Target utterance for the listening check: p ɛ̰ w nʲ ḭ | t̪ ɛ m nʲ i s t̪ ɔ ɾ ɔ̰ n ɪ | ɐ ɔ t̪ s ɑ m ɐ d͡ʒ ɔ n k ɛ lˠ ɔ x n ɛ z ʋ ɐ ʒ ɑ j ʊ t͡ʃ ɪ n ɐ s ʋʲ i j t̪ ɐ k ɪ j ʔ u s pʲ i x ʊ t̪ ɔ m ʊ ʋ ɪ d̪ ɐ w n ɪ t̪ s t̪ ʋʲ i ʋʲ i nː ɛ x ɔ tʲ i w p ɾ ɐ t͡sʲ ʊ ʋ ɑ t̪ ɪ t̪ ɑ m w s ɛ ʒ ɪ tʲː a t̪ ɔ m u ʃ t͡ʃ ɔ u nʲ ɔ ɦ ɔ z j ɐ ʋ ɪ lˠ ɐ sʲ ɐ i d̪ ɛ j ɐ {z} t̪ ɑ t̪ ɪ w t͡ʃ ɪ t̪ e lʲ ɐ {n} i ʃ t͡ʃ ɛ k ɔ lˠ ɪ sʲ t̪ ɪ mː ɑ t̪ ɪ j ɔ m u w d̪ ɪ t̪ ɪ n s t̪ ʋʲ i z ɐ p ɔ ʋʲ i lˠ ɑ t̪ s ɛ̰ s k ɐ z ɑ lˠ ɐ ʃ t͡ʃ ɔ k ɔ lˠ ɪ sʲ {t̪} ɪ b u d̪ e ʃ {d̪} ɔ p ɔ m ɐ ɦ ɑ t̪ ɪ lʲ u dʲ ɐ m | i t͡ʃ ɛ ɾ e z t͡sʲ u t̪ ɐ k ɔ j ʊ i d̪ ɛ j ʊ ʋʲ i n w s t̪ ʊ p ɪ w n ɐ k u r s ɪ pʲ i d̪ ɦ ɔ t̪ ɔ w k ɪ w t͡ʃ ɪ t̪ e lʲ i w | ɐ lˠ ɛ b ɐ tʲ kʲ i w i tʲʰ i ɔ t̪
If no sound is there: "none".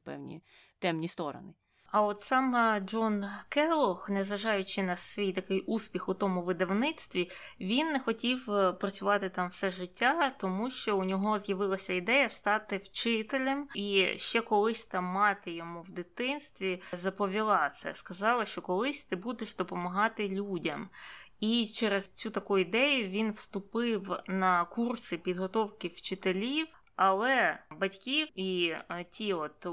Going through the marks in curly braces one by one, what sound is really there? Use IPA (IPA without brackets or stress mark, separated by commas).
s, m, t̪, d̪